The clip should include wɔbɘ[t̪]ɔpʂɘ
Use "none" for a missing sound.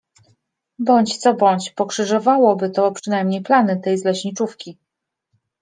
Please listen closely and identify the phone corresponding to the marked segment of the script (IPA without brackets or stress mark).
t̪